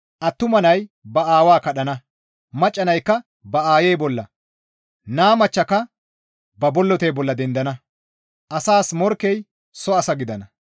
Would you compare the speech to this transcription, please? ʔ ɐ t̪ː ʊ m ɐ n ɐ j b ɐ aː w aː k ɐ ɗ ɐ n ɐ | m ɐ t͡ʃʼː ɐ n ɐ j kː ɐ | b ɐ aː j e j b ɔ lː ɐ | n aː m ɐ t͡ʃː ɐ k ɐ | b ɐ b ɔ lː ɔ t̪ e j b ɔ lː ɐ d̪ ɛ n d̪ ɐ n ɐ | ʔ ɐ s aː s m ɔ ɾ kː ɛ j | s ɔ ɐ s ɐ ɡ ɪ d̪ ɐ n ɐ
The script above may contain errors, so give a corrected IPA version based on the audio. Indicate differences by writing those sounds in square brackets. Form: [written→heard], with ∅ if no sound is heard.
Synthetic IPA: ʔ ɐ t̪ː ʊ m ɐ n ɐ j b ɐ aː w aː k ɐ ɗ ɐ n ɐ | m ɐ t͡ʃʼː ɐ n ɐ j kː ɐ | b ɐ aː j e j b ɔ lː ɐ | n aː m ɐ t͡ʃː ɐ k ɐ | b ɐ b ɔ lː ɔ t̪ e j b ɔ lː ɐ d̪ ɛ n d̪ ɐ n ɐ | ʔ ɐ s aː s m ɔ ɾ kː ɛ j | s ɔ ɐ s ɐ ɡ ɪ d̪ ɐ n ɐ